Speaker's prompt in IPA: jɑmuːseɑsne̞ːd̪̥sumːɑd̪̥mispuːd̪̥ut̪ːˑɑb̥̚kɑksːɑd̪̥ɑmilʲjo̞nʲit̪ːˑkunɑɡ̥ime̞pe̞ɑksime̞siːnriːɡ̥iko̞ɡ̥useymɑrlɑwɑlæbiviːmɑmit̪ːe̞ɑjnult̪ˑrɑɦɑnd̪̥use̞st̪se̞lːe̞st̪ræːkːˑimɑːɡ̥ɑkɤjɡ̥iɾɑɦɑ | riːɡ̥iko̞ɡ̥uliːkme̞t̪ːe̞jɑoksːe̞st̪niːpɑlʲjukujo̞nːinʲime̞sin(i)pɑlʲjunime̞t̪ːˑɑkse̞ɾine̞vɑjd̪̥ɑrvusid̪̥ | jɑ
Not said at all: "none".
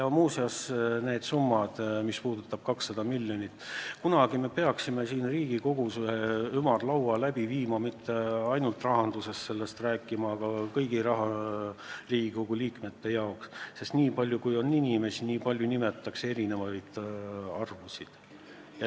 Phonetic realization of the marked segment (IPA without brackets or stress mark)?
iː